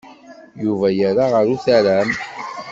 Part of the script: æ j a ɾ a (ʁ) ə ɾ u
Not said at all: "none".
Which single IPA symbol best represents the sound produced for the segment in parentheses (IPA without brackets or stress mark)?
ʁ